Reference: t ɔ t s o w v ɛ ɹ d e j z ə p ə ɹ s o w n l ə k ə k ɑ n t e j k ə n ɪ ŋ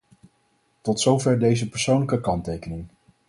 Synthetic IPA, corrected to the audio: t ɔ t s o w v ɛ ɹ d e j z ə p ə ɹ s o w n l ə k ə k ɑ n t e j k ə n ɪ ŋ